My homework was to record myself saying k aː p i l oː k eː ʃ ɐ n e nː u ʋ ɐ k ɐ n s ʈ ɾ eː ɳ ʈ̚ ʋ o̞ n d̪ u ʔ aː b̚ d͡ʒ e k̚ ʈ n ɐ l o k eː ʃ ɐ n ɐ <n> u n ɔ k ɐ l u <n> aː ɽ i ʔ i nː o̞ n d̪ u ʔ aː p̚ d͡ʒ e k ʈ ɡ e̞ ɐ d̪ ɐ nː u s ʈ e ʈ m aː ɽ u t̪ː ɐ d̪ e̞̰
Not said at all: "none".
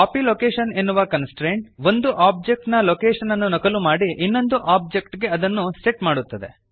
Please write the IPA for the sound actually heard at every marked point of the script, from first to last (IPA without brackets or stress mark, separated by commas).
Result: nː, m